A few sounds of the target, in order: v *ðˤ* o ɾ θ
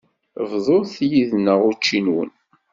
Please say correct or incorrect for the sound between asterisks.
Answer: correct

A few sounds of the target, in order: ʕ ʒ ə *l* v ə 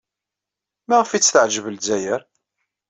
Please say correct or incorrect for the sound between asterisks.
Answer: incorrect: none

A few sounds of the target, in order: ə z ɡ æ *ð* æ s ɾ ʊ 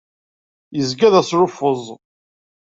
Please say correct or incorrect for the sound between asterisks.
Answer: correct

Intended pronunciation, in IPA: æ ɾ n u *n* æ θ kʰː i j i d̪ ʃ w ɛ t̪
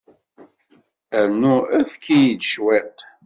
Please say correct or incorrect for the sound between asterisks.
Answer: incorrect: none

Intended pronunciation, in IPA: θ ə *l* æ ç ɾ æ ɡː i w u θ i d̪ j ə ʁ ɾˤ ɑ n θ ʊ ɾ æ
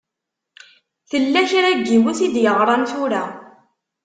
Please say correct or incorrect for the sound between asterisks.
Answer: incorrect: lː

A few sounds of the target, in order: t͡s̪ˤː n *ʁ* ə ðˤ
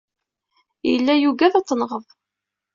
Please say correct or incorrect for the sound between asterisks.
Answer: correct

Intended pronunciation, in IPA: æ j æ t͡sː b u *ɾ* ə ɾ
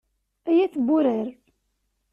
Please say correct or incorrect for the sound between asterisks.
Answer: correct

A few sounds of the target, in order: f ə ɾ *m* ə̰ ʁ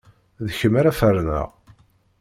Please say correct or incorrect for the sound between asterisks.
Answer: incorrect: n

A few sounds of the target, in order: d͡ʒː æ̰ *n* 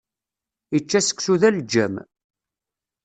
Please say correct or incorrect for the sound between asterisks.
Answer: incorrect: m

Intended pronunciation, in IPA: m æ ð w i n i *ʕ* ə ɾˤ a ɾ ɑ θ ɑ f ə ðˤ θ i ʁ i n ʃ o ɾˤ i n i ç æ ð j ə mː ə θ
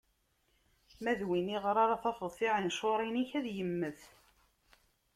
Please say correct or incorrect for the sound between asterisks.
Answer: incorrect: ʁ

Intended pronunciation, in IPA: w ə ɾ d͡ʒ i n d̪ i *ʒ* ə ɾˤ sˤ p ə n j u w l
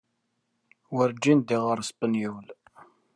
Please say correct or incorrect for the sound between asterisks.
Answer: incorrect: ʁ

